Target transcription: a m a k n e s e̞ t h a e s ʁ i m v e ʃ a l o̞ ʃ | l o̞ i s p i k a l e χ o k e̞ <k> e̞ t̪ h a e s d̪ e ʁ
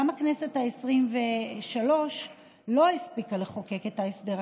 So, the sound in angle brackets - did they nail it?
yes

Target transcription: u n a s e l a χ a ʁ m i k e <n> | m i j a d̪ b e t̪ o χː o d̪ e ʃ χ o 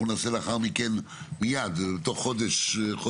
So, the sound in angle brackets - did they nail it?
yes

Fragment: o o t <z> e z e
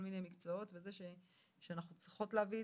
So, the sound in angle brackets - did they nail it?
no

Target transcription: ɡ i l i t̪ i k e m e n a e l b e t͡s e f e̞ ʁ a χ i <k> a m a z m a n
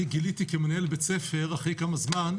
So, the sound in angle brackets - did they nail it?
yes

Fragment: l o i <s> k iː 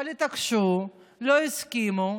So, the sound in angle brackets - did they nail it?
yes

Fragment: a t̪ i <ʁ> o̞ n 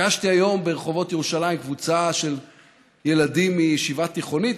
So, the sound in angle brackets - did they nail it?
no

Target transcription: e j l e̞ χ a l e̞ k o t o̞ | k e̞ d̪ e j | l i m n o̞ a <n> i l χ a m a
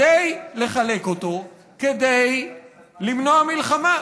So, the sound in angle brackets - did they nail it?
no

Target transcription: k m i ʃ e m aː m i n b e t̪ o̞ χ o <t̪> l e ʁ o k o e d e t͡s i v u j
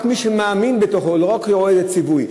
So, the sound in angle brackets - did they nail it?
no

